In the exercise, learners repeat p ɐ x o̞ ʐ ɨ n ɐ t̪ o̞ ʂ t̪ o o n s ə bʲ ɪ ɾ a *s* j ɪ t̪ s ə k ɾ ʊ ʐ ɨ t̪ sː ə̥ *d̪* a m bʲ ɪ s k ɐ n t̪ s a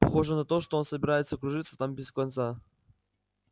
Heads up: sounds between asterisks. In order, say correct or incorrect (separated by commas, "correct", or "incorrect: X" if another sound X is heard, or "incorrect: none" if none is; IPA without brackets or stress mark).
incorrect: none, incorrect: t̪